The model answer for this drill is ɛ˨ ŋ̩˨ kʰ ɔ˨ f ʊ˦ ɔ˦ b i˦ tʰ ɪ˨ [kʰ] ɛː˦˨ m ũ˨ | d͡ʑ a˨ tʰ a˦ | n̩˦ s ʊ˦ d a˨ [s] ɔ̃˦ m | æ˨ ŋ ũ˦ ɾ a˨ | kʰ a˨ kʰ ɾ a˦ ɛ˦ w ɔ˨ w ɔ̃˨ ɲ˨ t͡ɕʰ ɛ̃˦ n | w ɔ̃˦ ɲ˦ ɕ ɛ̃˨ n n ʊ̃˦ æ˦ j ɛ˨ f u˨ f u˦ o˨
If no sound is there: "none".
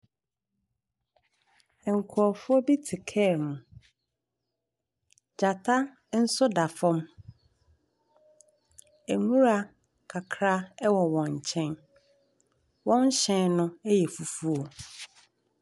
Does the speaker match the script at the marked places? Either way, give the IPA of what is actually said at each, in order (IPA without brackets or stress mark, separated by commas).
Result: kʰ, f